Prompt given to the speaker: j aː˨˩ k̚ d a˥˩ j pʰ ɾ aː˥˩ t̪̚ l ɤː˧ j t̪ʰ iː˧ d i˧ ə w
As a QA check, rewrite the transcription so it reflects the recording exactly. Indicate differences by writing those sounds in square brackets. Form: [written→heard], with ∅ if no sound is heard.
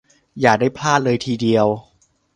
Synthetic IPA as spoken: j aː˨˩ k̚ d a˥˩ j pʰ [ɾ→l] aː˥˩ t̪̚ l ɤː˧ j t̪ʰ iː˧ d i˧ ə w